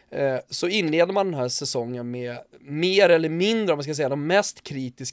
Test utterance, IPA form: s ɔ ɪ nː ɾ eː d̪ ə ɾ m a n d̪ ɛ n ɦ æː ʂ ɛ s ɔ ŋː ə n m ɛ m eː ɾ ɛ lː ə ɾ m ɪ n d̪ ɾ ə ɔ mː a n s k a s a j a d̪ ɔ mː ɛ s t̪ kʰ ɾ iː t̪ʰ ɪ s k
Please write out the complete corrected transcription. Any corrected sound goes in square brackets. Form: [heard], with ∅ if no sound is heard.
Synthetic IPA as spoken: s ɔ ɪ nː [l] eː d̪ ə ɾ m a n d̪ ɛ n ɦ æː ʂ ɛ s ɔ ŋː ə n m ɛ m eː ɾ ɛ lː ə ɾ m ɪ n d̪ ɾ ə ɔ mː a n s k a s [ɛ] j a d̪ ɔ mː ɛ s t̪ kʰ ɾ iː [t̪] ɪ s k